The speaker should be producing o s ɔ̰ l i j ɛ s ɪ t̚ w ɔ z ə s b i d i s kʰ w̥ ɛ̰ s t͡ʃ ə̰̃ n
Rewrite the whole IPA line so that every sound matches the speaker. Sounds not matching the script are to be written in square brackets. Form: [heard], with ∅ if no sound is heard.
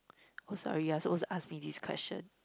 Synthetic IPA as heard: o s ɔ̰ [ɹ] i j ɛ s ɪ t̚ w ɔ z [a] s [m] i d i s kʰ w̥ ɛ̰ s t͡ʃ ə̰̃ n